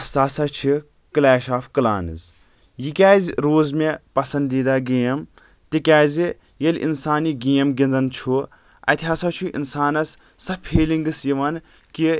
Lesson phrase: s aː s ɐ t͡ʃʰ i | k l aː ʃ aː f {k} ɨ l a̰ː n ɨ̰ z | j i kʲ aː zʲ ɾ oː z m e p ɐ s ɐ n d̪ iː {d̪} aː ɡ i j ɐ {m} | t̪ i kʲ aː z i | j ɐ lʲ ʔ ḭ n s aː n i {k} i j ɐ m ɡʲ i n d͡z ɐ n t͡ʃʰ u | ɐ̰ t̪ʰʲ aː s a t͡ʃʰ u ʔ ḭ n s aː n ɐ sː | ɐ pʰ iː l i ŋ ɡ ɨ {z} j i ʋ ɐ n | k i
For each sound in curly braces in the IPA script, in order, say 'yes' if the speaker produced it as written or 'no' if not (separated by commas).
yes, yes, yes, no, no